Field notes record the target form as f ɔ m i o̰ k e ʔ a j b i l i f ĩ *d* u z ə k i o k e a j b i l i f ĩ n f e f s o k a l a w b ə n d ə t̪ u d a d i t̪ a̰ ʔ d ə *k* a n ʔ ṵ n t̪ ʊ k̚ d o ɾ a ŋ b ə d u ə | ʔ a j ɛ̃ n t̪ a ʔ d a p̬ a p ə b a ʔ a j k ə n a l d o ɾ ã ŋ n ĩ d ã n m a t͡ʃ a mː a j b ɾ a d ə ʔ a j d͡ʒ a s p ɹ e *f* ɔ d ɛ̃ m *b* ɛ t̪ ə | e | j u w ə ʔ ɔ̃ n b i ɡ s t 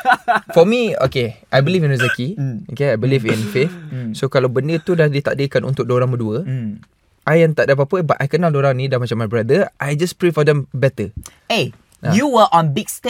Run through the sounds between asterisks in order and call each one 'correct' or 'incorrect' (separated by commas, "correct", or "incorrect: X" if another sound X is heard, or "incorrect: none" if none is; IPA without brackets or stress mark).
incorrect: n, correct, correct, correct